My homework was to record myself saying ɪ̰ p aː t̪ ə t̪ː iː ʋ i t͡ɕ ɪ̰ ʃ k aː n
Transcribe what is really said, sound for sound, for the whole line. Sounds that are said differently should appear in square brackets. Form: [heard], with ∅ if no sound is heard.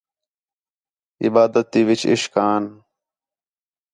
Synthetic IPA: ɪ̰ [b] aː [d̪] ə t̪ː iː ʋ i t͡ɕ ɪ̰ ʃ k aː n

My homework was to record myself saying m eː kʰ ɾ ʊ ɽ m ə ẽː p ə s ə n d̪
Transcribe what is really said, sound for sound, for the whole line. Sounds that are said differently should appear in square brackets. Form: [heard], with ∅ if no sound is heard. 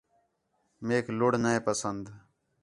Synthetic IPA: m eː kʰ [l] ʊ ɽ [n] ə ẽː p ə s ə n d̪

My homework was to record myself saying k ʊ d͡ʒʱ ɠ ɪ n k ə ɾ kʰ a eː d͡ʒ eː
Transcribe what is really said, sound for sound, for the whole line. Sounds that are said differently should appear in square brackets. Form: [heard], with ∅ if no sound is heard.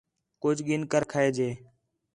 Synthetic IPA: k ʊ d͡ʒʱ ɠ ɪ n k ə ɾ kʰ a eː d͡ʒ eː

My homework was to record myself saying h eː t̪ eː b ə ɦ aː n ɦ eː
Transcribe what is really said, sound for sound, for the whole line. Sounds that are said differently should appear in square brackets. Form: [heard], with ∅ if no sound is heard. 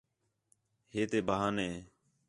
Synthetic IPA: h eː t̪ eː b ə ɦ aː n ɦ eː

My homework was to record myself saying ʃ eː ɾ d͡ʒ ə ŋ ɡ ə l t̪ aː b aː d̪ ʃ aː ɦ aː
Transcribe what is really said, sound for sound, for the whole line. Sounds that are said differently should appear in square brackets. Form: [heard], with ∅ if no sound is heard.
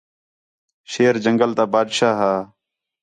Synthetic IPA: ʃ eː ɾ d͡ʒ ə ŋ ɡ ə l t̪ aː b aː d̪ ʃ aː ɦ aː

